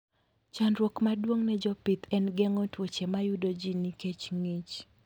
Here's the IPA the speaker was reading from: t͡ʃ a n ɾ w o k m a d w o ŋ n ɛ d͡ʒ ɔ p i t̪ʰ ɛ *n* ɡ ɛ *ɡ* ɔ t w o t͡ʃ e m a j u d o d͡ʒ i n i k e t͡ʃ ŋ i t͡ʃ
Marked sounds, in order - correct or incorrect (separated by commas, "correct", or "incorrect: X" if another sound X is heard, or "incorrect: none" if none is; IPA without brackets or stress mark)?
correct, incorrect: ŋ